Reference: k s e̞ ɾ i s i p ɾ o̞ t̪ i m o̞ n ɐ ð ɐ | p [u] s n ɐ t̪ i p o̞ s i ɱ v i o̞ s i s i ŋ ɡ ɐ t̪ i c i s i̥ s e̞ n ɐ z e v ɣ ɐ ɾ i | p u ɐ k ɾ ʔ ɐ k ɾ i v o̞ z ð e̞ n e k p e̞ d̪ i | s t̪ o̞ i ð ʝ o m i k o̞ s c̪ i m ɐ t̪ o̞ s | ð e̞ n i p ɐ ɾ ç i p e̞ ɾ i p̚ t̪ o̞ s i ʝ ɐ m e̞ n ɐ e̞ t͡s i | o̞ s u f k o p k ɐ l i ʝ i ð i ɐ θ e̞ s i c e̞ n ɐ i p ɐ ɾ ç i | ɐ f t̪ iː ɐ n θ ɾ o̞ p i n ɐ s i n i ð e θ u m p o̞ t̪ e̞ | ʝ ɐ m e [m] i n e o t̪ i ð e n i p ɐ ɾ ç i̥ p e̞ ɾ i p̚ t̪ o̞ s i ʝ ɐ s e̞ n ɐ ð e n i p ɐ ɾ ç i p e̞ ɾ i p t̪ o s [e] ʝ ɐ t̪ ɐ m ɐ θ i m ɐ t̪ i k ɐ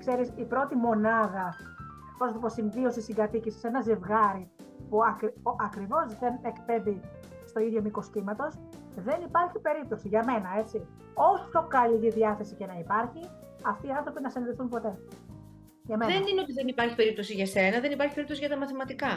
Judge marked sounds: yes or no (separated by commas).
no, no, no